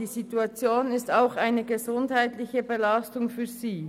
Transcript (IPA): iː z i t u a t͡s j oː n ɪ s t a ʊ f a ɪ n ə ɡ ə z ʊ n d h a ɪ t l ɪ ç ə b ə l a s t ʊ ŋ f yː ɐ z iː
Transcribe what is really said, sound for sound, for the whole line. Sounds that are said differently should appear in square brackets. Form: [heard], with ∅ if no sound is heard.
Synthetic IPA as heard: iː z i t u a t͡s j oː n ɪ s t a ʊ [x] a ɪ n ə ɡ ə z ʊ n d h a ɪ t l ɪ ç ə b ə l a s t ʊ ŋ f yː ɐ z iː